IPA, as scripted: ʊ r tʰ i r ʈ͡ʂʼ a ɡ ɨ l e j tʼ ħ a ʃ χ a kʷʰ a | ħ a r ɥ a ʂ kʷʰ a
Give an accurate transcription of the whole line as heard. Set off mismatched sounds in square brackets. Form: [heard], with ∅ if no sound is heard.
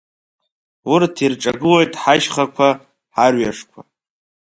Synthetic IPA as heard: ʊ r tʰ i r ʈ͡ʂʼ a ɡ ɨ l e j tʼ ħ a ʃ χ a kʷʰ a | ħ a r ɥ a ʂ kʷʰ a